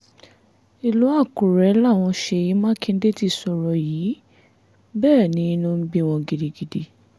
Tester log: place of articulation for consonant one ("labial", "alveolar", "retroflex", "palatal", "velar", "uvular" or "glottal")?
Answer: alveolar